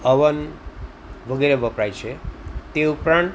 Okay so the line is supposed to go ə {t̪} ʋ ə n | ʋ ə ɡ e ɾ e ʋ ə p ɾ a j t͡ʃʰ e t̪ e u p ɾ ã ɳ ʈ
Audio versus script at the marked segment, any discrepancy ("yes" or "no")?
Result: yes